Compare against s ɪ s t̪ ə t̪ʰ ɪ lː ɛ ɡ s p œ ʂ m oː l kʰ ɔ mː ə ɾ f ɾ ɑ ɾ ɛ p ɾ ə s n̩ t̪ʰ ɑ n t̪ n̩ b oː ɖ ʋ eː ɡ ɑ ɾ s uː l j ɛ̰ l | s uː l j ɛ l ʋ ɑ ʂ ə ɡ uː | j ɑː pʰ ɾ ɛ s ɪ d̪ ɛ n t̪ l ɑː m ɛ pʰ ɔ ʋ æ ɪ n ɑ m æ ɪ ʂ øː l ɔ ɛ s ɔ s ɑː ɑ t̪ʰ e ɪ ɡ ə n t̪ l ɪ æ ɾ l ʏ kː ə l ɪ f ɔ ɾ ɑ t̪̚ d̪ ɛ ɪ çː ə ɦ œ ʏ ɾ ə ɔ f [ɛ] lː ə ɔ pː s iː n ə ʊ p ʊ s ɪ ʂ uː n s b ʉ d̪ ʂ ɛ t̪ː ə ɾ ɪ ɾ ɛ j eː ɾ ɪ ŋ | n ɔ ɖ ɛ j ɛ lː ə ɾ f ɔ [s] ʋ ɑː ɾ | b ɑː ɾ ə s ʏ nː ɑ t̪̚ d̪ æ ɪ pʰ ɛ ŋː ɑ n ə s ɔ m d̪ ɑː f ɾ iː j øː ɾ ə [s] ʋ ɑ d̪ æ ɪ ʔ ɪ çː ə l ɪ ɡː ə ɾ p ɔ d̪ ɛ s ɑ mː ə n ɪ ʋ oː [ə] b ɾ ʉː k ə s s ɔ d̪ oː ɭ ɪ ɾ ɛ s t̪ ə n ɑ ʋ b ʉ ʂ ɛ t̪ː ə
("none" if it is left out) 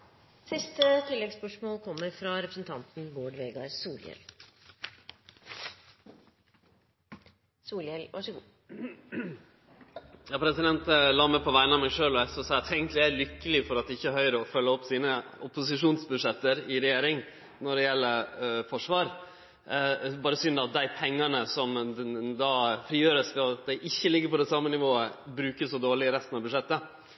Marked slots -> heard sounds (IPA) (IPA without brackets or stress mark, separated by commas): œ, ʂ, s, ə